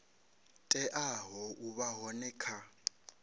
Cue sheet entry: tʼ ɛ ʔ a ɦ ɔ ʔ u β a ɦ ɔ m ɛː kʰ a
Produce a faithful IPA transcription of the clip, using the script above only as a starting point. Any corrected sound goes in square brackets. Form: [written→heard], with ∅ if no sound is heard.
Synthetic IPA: tʼ ɛ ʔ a ɦ ɔ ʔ u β a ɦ ɔ [m→n] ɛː kʰ a